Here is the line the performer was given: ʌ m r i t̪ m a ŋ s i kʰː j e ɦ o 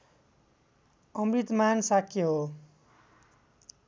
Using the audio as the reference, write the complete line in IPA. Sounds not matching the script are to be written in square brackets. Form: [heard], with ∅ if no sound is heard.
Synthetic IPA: ʌ m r i t̪ m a [n] s [a] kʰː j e ɦ o